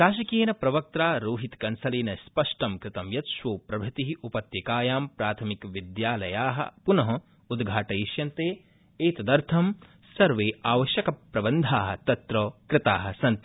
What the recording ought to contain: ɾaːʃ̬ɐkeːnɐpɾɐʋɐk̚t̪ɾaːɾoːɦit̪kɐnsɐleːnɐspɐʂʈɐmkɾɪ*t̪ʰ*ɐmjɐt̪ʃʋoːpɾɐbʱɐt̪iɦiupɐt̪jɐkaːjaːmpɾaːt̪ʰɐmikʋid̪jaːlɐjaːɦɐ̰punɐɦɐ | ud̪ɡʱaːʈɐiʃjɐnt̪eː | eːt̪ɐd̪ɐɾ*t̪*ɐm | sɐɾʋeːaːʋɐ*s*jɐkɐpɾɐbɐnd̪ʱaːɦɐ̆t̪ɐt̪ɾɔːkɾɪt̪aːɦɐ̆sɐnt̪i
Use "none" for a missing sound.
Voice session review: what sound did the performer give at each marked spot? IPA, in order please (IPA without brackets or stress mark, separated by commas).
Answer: t̪, t̪ʰ, ʃ